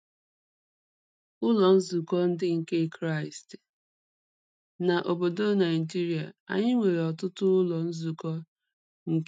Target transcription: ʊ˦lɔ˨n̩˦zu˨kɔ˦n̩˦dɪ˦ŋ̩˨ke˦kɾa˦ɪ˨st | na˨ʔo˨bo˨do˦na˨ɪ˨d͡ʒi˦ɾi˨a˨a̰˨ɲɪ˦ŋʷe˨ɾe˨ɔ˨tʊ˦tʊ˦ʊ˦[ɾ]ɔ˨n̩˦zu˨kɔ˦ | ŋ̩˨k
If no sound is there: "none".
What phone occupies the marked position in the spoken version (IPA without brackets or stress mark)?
l